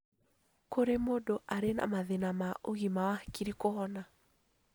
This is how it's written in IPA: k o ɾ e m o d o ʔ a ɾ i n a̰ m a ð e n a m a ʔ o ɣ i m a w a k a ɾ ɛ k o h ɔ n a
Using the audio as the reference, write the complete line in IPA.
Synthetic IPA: k o ɾ e m o d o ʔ a ɾ e n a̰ m a ð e n a m a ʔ o ɣ i m a w a k i ɾ i k o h ɔ n a